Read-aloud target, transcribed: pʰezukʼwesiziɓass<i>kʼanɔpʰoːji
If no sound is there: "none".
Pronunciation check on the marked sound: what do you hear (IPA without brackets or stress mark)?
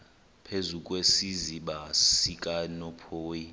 i